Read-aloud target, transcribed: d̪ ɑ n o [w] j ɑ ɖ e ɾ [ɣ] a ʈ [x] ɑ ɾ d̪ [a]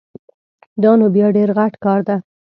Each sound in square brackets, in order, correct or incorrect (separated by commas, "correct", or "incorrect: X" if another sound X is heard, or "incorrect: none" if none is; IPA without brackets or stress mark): incorrect: b, correct, incorrect: k, correct